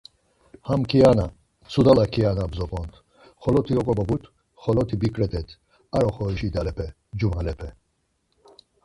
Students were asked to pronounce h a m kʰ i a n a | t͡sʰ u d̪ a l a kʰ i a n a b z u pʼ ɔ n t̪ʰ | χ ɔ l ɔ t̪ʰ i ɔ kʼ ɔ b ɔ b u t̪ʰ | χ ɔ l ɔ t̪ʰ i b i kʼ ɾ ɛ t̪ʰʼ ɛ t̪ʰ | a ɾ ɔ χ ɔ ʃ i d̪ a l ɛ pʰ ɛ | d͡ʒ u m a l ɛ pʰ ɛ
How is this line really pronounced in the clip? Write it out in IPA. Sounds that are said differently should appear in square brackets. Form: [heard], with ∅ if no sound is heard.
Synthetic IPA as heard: h a m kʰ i a n a | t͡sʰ u d̪ a l a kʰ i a n a b z [ɔ] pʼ ɔ n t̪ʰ | χ ɔ l ɔ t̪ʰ i ɔ kʼ ɔ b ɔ b u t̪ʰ | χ ɔ l ɔ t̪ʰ i b i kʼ ɾ ɛ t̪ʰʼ ɛ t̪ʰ | a ɾ ɔ χ ɔ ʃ i d̪ a l ɛ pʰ ɛ | d͡ʒ u m a l ɛ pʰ ɛ